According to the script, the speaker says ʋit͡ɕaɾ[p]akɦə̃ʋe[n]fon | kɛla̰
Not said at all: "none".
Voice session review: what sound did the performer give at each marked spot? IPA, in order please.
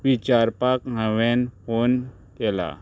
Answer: p, n

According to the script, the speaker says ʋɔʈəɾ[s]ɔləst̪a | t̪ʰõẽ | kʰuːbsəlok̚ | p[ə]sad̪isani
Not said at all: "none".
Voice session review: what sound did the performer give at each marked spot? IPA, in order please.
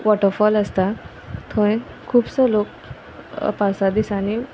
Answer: f, a

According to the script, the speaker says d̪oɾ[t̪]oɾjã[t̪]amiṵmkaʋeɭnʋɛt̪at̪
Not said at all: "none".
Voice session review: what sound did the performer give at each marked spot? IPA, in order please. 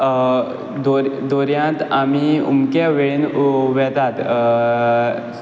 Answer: d̪, t̪

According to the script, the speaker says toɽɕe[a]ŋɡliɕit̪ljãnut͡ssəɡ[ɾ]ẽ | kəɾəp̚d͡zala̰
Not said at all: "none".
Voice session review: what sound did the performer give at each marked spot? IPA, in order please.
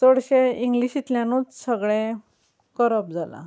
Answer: i, ɭ

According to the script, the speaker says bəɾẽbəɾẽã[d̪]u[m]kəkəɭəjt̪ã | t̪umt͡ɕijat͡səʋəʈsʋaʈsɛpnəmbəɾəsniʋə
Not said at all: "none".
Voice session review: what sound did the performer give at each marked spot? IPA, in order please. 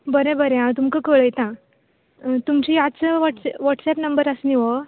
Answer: t̪, m

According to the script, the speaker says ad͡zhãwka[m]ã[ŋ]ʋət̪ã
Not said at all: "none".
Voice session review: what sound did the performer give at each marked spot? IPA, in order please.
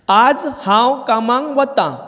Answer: m, ŋ

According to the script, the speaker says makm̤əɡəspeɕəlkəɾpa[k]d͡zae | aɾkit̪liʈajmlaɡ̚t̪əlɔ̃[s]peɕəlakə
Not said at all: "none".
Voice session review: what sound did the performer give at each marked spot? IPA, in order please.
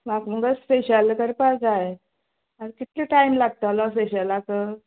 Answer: none, s

